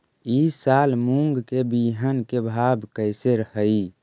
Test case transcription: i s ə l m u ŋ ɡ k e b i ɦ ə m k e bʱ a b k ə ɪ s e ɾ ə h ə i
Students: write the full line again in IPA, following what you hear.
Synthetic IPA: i s a l m u ŋ ɡ k e b i ɦ ə n k e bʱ a b k ə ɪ s e ɾ ə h ə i